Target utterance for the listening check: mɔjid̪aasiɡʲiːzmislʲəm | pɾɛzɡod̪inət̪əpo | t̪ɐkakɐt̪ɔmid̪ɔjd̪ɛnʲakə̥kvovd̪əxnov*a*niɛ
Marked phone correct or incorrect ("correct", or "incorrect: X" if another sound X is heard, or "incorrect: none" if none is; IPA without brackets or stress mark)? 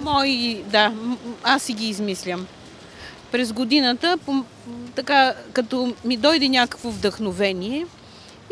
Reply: incorrect: ɛ